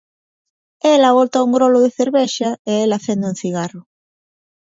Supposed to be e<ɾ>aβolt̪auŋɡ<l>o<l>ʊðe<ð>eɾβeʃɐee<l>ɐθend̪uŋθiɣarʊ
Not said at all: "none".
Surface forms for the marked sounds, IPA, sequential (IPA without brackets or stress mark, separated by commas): l, ɾ, l, θ, l